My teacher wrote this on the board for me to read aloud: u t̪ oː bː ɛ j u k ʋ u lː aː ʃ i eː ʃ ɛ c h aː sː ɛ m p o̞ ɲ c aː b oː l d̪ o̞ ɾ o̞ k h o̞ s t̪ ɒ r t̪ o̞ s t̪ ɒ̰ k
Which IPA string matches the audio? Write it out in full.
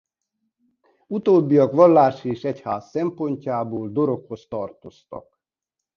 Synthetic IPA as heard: u t̪ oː bː i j ɒ k ʋ ɒ lː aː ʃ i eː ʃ ɛ c h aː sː ɛ m p o̞ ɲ c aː b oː l d̪ o̞ ɾ o̞ k h o̞ s t̪ ɒ r t̪ o̞ s t̪ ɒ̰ k